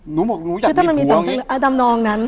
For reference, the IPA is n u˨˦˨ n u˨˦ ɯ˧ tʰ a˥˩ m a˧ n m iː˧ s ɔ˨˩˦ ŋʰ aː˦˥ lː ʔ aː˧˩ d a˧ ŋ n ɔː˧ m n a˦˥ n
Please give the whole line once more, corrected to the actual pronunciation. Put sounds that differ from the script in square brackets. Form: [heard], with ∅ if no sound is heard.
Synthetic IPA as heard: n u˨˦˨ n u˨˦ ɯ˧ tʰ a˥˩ m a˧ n m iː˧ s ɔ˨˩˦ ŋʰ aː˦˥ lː ʔ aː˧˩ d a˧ [m] n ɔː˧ [ŋ] n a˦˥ n